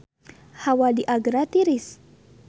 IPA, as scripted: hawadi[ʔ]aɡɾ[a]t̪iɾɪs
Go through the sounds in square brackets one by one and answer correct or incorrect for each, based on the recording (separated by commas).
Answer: correct, correct